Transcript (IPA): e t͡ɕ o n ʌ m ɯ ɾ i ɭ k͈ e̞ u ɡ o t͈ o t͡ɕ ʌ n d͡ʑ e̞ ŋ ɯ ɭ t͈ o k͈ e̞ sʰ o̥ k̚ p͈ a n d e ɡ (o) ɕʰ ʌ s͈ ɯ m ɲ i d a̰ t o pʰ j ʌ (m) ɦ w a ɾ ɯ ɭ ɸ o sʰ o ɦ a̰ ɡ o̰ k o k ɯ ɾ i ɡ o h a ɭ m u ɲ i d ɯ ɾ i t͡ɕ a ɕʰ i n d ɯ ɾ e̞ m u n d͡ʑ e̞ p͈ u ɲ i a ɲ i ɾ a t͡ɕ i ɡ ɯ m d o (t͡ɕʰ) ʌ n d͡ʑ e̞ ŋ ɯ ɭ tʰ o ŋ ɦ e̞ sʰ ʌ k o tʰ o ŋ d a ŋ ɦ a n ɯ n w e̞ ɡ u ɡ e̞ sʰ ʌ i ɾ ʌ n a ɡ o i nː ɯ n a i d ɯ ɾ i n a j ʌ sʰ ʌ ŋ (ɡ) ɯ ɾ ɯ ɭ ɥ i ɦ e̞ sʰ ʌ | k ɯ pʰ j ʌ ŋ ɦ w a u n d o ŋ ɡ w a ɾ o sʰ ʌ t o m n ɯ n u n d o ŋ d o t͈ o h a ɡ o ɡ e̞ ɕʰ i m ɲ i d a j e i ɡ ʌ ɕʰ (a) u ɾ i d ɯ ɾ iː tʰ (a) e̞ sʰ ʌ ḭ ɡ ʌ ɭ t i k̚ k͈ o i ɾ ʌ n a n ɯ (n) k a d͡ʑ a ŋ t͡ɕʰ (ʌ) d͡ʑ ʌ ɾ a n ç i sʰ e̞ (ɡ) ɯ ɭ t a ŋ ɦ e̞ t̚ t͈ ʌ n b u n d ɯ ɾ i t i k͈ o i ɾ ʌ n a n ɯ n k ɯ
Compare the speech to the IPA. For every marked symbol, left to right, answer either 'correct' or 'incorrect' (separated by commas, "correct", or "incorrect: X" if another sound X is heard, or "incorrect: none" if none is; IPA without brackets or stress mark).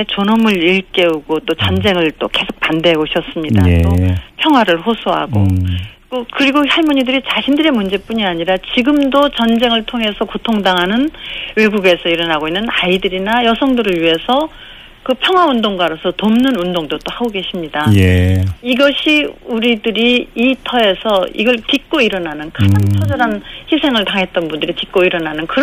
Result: correct, incorrect: ŋ, incorrect: t͡ɕ, incorrect: d, incorrect: i, incorrect: ʌ, correct, correct, incorrect: ŋ